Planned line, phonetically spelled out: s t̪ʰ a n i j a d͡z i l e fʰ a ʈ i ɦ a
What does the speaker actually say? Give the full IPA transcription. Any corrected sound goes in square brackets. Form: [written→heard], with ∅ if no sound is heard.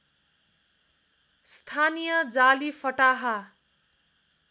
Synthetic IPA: s t̪ʰ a n i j [a→ʌ] d͡z [i→a] l [e→i] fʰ [a→ʌ] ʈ [i→a] ɦ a